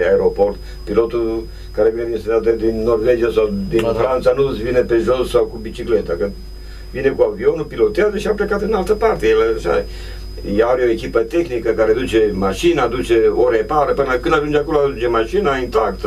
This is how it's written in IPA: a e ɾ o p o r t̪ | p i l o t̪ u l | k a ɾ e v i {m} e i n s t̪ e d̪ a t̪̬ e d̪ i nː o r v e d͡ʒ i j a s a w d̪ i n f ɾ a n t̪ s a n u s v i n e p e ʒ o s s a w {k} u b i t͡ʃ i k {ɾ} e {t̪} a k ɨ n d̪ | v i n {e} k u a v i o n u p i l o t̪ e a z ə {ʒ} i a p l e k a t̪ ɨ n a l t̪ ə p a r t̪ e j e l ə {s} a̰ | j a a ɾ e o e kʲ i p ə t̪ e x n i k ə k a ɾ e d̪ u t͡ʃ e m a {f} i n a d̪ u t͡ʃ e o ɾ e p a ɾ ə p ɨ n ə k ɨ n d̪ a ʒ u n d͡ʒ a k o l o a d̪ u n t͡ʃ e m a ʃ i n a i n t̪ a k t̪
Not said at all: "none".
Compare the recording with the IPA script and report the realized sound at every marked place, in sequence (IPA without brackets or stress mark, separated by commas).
n, k, l, t̪, e, ʃ, ʃ, ʃ